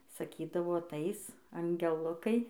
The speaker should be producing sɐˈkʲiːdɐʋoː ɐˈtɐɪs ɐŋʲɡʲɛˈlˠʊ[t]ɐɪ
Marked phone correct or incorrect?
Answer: incorrect: k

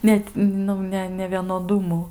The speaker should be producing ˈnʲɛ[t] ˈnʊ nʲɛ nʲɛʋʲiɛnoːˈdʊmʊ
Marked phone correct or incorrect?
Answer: correct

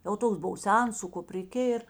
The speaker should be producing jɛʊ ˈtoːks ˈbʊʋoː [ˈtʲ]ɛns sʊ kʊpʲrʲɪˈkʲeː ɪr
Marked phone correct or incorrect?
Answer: incorrect: sʲ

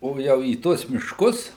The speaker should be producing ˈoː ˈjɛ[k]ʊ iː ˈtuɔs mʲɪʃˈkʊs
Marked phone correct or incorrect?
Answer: incorrect: none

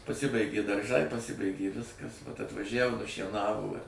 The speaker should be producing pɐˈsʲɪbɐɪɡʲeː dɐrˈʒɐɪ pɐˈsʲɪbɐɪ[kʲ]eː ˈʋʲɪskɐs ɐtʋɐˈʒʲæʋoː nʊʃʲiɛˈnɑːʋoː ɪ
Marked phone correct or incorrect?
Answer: incorrect: ɡʲ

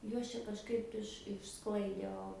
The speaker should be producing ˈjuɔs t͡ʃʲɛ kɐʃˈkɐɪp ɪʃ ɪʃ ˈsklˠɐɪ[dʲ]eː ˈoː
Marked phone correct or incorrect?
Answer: correct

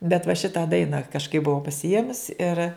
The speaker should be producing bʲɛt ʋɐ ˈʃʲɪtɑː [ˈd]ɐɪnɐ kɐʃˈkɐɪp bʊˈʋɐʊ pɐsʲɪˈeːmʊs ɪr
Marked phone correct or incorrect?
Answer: correct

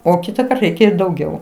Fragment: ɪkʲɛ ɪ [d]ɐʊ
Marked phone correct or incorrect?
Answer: correct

